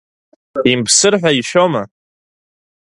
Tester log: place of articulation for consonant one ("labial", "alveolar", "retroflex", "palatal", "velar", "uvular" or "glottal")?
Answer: labial